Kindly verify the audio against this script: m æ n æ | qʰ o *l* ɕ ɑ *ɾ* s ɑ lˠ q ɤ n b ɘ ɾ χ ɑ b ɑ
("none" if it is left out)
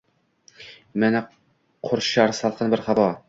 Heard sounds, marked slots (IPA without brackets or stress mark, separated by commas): ɾ, ɾ